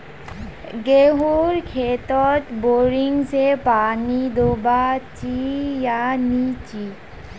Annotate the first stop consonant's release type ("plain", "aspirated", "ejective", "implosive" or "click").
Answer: plain